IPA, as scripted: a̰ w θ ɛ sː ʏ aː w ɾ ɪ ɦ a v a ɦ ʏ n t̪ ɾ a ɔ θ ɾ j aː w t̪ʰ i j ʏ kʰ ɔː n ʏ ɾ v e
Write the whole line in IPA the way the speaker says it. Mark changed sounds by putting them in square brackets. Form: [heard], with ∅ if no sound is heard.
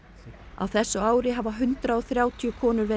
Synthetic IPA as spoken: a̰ w θ ɛ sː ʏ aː w ɾ ɪ ɦ a v a ɦ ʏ n t̪ ɾ a ɔ θ ɾ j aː w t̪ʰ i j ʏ kʰ ɔː n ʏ ɾ v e